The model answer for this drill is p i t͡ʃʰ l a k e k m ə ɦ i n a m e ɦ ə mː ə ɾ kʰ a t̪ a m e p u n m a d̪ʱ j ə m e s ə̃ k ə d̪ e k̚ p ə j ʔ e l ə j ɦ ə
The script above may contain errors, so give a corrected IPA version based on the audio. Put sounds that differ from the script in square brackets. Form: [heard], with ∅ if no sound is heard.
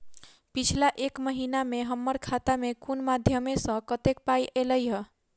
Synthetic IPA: p i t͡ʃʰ l a [ʔ] e k m ə ɦ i n a m e ɦ ə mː ə ɾ kʰ a t̪ a m e [k] u n m a d̪ʱ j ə m e s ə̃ k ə [t̪] e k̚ p [a] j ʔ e l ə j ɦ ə